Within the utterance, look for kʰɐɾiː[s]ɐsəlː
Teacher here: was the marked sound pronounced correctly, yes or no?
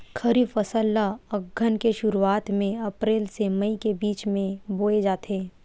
no